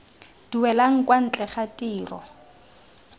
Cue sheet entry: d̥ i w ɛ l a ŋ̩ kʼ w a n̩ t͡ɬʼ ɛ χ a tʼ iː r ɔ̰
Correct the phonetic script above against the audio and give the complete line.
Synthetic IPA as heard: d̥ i w ɛ l a ŋ̩ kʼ w a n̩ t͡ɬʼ ɛ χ a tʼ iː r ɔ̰